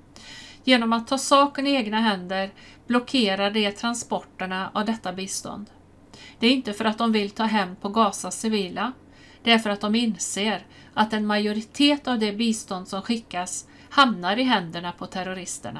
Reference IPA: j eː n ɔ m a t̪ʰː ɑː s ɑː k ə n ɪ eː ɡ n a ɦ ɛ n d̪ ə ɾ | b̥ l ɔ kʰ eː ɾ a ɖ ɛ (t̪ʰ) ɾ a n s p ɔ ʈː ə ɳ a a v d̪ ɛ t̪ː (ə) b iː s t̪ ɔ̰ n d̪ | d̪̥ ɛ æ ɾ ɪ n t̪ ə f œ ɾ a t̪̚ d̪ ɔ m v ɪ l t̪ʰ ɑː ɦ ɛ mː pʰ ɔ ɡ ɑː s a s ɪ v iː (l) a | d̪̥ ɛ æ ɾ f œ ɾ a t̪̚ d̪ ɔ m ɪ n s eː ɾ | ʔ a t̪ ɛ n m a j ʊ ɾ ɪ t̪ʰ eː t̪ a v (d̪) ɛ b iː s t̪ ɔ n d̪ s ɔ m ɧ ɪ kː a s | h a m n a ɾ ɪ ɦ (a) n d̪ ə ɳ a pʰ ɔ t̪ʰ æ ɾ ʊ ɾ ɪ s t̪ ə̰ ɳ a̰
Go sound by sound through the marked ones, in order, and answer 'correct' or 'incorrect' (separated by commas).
correct, incorrect, correct, correct, incorrect